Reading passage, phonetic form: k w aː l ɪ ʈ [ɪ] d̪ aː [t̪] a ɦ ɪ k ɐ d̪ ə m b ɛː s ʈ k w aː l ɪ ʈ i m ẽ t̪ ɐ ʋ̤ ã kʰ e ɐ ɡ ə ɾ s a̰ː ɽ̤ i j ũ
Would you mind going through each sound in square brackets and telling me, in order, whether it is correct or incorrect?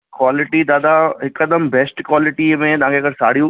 incorrect: i, incorrect: d̪

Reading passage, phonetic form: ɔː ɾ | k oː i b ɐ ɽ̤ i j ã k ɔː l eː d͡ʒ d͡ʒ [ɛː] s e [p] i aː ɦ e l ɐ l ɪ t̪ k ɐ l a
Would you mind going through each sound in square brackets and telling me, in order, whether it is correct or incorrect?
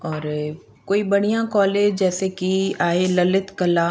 correct, incorrect: k

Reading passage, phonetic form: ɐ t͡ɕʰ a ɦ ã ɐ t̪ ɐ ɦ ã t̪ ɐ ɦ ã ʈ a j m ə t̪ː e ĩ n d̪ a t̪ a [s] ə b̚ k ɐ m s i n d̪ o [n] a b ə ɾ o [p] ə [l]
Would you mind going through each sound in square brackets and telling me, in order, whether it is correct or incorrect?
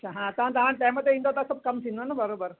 correct, correct, incorrect: b, incorrect: ɾ

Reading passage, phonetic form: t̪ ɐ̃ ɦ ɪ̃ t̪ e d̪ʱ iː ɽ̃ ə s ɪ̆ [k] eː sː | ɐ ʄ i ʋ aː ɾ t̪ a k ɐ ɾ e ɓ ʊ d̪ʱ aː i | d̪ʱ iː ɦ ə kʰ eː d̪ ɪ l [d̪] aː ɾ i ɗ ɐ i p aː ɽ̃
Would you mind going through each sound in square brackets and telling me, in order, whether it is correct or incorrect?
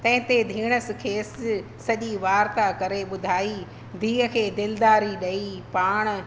incorrect: kʰ, correct

